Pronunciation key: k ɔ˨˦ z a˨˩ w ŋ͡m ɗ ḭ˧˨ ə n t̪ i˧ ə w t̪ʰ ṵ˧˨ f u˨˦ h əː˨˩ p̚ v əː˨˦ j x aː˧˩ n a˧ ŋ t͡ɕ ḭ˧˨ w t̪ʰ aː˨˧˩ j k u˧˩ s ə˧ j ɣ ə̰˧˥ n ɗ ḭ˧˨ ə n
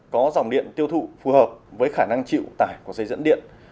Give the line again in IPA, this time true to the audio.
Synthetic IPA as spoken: k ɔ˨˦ z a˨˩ w ŋ͡m ɗ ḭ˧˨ ə n t̪ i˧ ə w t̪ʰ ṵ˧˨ f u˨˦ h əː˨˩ p̚ v əː˨˦ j x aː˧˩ n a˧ ŋ t͡ɕ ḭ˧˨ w t̪ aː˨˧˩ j k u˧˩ s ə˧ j z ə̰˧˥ n ɗ ḭ˧˨ ə n